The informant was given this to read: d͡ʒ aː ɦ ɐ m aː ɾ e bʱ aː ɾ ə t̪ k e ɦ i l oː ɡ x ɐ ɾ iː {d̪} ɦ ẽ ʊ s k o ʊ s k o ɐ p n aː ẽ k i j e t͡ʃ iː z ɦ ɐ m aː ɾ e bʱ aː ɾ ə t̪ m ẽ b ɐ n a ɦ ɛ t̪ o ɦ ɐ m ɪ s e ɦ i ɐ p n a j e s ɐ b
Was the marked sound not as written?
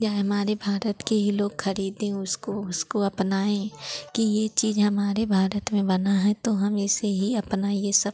no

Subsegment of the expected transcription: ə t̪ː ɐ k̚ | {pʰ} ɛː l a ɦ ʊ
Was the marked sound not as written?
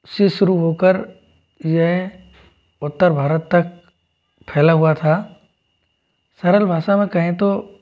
no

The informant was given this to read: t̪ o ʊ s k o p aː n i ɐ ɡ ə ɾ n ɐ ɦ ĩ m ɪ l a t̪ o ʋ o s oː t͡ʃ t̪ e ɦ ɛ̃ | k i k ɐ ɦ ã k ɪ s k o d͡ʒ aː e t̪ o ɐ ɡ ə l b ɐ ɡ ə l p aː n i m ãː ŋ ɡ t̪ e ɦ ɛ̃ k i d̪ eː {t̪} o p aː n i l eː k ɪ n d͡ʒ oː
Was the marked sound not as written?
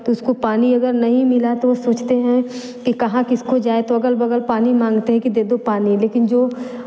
yes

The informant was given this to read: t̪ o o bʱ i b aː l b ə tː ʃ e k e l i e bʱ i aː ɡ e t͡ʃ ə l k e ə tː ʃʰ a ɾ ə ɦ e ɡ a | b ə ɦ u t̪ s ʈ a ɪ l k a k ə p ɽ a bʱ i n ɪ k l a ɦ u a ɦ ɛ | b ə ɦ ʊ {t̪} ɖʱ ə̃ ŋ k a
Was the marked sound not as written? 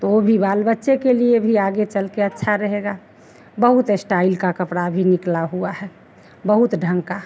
no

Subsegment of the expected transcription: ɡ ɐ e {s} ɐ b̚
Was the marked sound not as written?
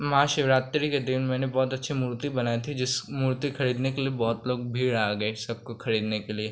no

